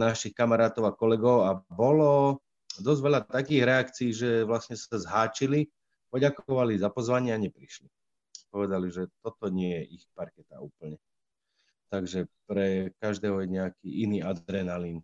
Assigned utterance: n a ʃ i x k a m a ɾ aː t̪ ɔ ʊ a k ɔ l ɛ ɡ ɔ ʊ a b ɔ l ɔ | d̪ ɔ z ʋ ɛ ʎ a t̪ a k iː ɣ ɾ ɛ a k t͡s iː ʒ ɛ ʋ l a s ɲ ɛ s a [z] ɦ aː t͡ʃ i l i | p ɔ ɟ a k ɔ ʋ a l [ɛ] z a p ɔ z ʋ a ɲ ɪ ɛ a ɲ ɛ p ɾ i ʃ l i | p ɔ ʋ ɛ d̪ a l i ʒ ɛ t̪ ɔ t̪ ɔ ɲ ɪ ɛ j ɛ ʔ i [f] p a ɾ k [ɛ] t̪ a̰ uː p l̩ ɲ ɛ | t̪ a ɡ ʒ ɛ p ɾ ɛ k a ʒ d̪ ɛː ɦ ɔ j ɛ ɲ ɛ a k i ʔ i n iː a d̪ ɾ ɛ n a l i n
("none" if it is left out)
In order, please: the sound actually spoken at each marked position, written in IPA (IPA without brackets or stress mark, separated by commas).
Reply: z, i, x, ɛ